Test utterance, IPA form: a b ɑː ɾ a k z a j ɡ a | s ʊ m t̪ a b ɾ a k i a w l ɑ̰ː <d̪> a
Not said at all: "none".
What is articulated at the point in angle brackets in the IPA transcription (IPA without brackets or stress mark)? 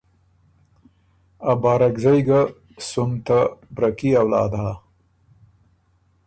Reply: d̪